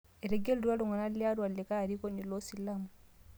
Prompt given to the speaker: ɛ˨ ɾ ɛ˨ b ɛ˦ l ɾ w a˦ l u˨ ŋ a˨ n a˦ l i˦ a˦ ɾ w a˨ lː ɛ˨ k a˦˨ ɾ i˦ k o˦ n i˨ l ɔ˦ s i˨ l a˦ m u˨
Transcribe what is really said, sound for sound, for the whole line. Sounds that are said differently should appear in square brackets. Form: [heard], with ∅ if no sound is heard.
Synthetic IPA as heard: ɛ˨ ɾ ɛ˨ [ɡ] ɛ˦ l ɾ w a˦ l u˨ ŋ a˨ n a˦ l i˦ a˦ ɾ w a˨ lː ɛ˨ k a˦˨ ɾ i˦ k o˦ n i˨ l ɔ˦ s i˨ l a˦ m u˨